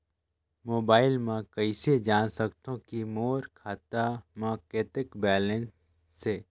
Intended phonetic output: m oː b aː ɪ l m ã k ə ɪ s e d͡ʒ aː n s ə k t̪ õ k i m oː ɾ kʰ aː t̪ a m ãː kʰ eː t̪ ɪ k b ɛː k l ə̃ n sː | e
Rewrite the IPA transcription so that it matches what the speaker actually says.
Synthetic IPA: m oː b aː ɪ l m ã k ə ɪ s e d͡ʒ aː n s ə k t̪ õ k i m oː ɾ kʰ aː t̪ a m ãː k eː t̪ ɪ k b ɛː l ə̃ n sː | e